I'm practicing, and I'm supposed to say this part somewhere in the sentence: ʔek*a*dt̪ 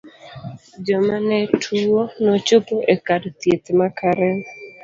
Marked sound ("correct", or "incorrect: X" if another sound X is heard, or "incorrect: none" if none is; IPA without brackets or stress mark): correct